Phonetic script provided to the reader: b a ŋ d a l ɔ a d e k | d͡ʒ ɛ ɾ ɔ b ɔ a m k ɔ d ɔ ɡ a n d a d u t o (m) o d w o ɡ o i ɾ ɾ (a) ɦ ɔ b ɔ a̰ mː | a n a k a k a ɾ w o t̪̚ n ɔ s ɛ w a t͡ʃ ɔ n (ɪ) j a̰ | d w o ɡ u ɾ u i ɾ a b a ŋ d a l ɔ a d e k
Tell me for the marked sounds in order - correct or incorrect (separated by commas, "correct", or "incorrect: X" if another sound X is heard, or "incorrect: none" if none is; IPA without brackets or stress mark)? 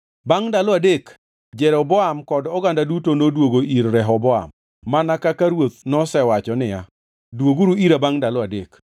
incorrect: n, incorrect: ɛ, correct